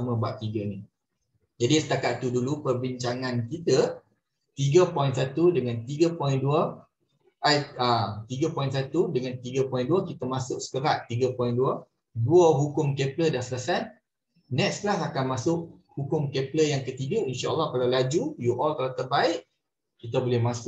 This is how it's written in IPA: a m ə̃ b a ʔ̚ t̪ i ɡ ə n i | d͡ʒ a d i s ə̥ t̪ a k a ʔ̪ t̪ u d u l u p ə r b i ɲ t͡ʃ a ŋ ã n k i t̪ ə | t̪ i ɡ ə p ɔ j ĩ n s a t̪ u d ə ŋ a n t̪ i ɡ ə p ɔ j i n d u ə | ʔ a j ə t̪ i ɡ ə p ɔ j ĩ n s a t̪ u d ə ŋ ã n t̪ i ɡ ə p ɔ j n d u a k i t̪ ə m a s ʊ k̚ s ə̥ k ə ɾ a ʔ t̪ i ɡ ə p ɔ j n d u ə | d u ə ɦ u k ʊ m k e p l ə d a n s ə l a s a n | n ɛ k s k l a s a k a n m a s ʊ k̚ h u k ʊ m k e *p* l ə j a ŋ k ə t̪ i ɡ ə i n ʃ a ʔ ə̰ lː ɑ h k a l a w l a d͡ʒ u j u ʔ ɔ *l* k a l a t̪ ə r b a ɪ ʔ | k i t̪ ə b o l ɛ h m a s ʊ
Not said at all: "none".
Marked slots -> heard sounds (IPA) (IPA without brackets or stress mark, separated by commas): p, l